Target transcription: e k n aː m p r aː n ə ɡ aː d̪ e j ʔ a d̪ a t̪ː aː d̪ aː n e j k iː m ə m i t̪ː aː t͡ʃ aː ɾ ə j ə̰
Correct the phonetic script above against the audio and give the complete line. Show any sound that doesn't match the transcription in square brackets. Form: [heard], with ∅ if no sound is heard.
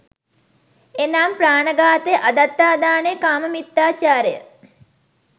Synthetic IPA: e [∅] n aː m p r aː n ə ɡ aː [t̪] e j ʔ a d̪ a t̪ː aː d̪ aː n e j k [aː] m ə m i t̪ː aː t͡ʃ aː ɾ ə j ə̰